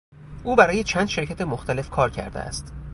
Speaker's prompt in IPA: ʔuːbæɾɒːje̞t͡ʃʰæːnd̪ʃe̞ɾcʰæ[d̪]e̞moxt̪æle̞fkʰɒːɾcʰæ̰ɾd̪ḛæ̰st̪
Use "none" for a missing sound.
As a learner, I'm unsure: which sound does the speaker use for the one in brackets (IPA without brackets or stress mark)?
t̪